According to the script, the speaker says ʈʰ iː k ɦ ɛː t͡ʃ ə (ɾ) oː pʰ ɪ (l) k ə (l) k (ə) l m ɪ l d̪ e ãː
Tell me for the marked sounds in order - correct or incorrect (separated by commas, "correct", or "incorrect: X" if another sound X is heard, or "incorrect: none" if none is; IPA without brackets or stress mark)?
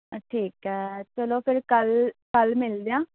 incorrect: l, incorrect: ɾ, correct, correct